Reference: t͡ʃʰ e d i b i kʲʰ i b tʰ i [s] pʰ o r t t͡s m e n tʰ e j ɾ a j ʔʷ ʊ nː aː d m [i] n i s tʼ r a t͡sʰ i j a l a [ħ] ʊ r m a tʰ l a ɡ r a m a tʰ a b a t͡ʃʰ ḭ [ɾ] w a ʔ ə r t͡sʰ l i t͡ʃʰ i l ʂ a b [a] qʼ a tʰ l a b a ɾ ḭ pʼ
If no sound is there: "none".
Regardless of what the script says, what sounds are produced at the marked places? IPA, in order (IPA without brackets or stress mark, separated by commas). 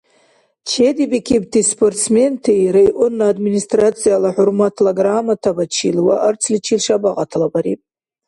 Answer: s, i, ħ, l, a